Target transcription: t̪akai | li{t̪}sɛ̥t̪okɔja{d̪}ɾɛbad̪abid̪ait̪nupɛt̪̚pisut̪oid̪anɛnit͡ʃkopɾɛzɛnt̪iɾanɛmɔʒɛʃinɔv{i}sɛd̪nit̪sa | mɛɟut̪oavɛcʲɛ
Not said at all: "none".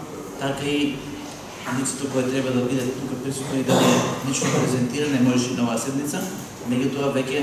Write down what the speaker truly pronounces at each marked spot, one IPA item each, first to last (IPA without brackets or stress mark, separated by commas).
t̪, t̪, a